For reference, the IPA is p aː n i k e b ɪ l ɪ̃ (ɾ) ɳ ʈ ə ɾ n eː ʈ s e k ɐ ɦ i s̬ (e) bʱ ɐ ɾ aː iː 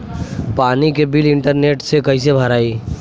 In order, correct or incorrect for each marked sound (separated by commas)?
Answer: incorrect, correct